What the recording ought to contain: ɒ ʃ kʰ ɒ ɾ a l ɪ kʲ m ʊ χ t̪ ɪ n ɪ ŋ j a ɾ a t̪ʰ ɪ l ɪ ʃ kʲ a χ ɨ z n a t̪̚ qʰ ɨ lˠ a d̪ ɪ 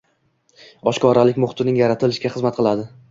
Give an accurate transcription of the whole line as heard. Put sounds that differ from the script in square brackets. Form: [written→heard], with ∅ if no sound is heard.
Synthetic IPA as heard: ɒ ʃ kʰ ɒ ɾ a l ɪ kʲ m ʊ χ t̪ ɪ n ɪ ŋ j a ɾ a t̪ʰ ɪ l ɪ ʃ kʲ a χ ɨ z [n→m] a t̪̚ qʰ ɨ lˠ a d̪ ɪ